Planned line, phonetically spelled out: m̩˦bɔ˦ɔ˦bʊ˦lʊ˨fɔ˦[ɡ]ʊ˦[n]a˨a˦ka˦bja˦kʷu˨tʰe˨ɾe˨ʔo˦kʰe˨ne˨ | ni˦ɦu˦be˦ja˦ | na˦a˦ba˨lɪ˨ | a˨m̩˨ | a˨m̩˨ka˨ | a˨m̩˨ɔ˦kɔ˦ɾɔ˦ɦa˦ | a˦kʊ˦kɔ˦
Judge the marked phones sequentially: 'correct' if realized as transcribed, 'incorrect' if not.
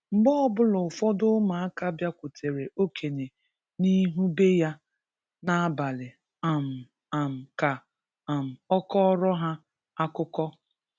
incorrect, incorrect

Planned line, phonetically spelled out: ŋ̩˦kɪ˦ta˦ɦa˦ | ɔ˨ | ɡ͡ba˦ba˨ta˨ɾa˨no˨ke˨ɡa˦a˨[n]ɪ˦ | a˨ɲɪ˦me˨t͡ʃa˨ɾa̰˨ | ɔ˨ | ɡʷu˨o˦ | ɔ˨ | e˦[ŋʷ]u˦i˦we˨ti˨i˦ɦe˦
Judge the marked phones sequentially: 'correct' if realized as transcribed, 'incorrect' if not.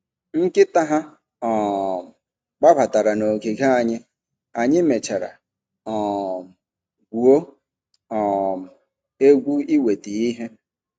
incorrect, incorrect

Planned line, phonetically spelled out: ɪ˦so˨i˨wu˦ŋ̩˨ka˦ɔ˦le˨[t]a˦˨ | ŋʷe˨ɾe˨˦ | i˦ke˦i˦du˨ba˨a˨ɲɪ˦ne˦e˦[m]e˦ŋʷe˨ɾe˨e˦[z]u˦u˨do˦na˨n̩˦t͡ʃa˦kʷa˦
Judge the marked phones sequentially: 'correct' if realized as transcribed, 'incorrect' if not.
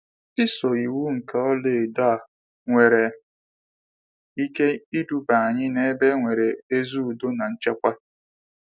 incorrect, incorrect, correct

